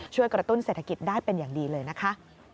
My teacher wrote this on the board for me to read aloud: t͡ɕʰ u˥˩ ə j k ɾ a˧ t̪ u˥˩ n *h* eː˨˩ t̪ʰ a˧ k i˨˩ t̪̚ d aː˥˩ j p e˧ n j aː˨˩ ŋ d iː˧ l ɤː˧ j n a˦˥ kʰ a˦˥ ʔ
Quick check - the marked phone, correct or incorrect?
incorrect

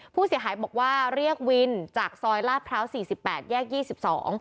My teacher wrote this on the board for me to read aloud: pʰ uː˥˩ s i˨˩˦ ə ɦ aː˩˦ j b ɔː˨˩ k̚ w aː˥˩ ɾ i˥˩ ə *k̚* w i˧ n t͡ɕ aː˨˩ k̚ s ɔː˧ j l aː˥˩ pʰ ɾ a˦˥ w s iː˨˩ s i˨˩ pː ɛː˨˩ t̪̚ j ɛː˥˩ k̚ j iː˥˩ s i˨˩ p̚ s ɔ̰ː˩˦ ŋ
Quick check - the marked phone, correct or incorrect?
correct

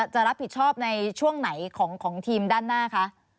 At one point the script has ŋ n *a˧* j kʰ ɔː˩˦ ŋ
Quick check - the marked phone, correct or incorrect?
incorrect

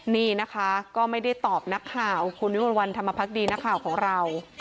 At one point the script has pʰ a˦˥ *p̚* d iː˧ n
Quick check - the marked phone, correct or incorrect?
incorrect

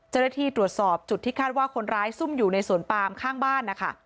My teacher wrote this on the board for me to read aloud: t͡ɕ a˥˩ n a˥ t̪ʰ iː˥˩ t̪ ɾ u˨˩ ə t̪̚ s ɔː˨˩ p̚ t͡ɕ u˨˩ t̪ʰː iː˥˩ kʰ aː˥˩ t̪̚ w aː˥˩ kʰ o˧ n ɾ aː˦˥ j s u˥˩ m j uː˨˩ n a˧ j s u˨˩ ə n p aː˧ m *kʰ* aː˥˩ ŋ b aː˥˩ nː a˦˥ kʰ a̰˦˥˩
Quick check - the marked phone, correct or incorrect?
correct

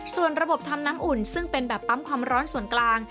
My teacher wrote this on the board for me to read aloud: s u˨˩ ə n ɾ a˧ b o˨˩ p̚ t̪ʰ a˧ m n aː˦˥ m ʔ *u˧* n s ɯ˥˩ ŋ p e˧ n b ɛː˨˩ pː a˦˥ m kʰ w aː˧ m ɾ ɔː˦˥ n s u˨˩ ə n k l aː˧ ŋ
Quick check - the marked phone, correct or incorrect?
incorrect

